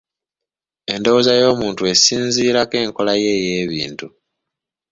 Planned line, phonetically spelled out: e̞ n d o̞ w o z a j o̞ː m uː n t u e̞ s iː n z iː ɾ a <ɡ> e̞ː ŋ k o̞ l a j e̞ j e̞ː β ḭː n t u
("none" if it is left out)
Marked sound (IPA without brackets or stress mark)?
k